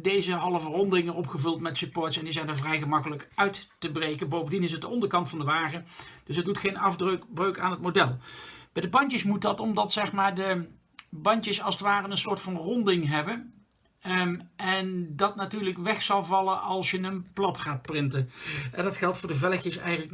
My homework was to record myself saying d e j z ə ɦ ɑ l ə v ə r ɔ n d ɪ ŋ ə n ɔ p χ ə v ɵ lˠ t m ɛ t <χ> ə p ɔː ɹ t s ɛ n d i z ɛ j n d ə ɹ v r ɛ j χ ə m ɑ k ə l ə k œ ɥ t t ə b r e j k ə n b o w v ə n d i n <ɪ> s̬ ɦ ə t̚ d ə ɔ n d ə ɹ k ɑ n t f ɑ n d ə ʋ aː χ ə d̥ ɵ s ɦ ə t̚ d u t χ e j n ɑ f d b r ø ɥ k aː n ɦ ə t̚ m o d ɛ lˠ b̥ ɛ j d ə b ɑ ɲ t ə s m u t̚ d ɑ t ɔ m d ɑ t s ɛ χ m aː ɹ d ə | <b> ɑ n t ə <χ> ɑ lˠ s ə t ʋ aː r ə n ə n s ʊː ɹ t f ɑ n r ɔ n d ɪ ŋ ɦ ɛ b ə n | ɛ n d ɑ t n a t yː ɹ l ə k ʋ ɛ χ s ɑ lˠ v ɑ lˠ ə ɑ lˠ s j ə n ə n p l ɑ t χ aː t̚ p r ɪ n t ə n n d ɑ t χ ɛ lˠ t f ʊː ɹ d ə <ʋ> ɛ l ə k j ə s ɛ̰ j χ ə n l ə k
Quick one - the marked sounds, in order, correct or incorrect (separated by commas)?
incorrect, correct, correct, incorrect, incorrect